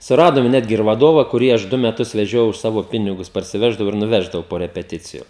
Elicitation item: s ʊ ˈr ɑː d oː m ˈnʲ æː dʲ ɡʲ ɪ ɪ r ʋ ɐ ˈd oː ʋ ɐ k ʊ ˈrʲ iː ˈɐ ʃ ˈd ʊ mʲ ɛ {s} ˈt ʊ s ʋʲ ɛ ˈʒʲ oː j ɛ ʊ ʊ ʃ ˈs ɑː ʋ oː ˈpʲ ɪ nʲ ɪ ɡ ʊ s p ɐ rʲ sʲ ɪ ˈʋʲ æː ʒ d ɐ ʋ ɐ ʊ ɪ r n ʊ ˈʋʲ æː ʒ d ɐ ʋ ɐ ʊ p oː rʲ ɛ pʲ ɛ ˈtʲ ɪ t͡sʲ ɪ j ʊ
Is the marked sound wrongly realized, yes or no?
yes